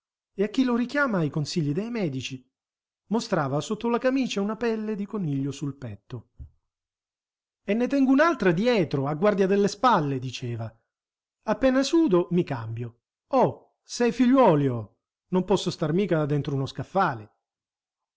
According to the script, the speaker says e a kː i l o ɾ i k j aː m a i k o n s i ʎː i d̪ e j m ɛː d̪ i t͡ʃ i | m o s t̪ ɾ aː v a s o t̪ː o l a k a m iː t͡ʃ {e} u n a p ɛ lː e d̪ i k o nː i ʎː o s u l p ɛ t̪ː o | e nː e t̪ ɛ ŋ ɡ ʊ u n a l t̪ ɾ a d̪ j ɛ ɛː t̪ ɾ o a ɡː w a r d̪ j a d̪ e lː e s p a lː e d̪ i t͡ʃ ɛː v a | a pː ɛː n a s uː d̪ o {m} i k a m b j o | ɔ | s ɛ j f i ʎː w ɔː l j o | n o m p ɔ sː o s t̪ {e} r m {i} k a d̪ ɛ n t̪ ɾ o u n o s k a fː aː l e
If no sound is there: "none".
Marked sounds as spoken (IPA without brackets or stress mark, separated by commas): a, m, a, iː